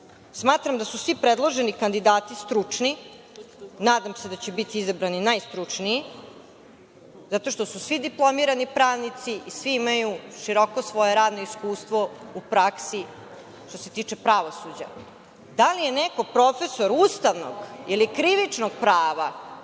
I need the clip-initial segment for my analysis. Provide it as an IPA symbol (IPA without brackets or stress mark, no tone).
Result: s